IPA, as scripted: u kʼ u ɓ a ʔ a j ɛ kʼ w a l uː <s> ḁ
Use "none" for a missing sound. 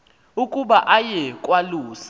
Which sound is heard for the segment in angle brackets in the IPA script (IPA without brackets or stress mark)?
s